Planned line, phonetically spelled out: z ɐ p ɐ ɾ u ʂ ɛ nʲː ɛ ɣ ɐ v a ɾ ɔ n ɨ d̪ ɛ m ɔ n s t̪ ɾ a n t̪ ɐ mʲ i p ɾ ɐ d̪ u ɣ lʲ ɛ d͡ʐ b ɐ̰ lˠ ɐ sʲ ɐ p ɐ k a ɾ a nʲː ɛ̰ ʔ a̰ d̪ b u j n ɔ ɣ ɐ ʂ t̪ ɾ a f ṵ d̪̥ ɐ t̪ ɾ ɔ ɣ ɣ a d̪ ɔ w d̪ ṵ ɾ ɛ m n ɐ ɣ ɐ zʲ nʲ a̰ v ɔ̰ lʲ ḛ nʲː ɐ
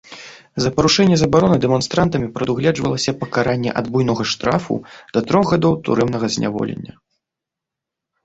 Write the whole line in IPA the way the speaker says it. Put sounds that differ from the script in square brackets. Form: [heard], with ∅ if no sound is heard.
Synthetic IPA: z ɐ p ɐ ɾ u ʂ ɛ nʲː ɛ [z] ɐ [b] a ɾ ɔ n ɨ d̪ ɛ m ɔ n s t̪ ɾ a n t̪ ɐ mʲ i p ɾ ɐ d̪ u ɣ lʲ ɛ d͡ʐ [v] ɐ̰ lˠ ɐ sʲ ɐ p ɐ k a ɾ a nʲː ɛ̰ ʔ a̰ d̪ b u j n ɔ ɣ ɐ ʂ t̪ ɾ a f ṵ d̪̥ ɐ t̪ ɾ ɔ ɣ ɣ a d̪ ɔ w [t̪] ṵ ɾ ɛ m n ɐ ɣ ɐ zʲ nʲ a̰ v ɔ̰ lʲ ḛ nʲː ɐ